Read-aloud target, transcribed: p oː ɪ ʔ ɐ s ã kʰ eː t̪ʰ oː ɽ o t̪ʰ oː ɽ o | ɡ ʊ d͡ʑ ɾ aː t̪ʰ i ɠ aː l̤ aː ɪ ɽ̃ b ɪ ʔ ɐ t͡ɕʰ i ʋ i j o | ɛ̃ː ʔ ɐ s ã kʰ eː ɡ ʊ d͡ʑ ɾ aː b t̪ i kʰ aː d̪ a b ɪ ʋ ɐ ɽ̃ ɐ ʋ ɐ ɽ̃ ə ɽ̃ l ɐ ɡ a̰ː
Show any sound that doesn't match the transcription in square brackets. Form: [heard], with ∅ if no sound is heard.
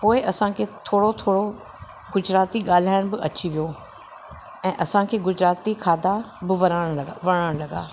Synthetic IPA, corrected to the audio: p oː ɪ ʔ ɐ s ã kʰ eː t̪ʰ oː ɽ o t̪ʰ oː ɽ o | ɡ ʊ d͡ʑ ɾ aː [t̪] i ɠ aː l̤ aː ɪ ɽ̃ b ɪ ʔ ɐ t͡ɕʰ i ʋ i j o | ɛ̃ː ʔ ɐ s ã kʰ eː ɡ ʊ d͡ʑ ɾ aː [∅] t̪ i kʰ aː d̪ a b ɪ ʋ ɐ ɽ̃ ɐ ʋ ɐ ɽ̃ ə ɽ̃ l ɐ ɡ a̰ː